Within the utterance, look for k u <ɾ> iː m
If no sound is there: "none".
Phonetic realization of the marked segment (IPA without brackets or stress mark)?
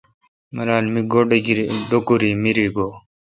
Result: ɾ